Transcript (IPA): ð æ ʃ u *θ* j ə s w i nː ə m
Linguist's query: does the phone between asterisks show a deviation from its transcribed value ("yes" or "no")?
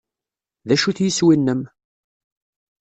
no